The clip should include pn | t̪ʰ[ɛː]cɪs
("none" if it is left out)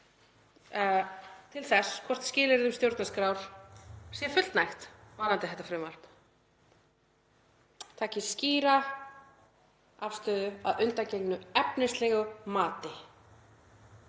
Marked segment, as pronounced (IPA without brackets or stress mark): aː